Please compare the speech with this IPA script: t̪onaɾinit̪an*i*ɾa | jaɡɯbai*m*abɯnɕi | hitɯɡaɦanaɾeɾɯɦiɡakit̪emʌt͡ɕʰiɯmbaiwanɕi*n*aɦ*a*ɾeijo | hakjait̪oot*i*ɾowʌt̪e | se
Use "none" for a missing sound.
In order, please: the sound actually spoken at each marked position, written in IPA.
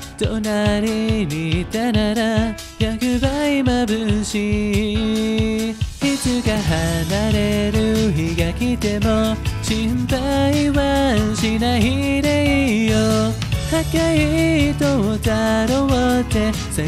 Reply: a, m, n, i, a

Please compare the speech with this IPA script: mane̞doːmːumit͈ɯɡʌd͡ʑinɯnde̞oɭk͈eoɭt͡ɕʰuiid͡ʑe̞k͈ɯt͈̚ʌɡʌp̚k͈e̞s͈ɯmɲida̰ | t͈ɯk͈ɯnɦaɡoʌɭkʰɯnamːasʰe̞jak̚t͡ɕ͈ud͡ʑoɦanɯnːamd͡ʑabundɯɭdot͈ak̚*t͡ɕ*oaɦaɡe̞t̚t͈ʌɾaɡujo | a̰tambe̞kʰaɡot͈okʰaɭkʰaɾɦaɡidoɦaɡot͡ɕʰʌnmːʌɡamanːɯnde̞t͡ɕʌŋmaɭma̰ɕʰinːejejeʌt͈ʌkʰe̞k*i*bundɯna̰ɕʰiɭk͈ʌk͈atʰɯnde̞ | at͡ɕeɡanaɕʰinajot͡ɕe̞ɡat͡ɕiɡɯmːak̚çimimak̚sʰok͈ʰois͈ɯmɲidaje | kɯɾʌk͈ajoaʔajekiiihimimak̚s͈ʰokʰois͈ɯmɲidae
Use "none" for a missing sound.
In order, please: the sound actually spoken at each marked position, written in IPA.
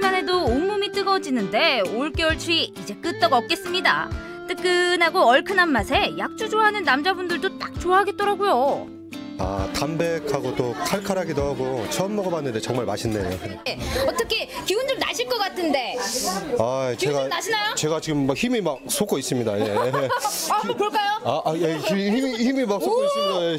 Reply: t͡ɕ, i

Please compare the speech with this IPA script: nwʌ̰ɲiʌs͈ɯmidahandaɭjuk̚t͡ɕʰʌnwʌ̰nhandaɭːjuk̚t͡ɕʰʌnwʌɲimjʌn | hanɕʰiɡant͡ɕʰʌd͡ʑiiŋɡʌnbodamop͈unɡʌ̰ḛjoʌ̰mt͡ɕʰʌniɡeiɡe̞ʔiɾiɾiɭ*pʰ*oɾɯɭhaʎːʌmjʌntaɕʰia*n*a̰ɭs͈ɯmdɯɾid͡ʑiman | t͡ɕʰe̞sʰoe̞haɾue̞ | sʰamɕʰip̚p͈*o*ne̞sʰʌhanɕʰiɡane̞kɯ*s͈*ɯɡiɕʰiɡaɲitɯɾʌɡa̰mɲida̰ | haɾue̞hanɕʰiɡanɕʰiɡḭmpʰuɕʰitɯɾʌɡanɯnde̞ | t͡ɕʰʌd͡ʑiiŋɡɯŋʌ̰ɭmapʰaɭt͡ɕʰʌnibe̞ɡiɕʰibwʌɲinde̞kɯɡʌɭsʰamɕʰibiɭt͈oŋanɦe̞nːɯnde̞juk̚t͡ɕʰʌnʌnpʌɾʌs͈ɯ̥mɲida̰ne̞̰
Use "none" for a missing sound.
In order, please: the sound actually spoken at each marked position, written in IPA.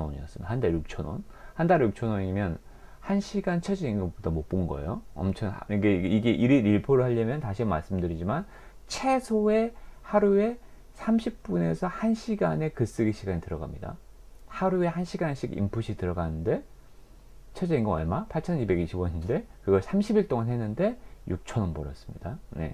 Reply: pʰ, m, u, s͈

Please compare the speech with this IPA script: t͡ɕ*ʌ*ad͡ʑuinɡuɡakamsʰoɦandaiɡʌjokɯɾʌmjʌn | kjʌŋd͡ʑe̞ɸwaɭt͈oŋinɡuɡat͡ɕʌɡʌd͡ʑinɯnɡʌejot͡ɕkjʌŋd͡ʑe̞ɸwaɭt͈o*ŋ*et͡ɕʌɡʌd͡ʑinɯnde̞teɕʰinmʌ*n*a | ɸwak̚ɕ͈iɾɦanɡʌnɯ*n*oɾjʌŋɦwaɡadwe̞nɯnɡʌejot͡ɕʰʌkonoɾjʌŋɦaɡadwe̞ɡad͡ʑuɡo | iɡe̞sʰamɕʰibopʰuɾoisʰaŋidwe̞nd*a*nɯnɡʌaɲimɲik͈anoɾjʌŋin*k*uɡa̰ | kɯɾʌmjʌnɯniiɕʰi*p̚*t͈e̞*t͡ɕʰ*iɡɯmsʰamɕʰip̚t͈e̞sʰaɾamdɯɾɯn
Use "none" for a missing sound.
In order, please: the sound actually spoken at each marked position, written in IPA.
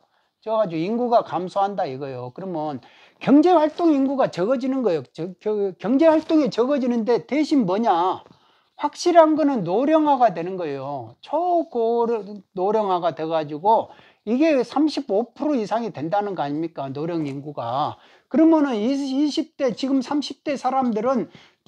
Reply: ʌ, ŋ, ɲ, nː, a, ɡ, p̚, t͡ɕ

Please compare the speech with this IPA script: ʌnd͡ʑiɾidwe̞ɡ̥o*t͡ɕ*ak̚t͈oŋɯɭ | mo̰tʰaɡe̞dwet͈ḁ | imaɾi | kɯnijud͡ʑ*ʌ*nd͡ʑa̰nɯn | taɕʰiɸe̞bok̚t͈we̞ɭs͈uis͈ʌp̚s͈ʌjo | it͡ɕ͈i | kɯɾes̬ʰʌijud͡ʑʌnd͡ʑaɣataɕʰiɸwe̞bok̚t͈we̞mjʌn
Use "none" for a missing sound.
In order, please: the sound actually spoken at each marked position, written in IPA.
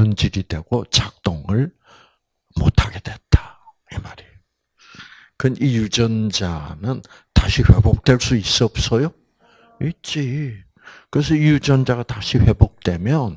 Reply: t͡ɕ, ʌ

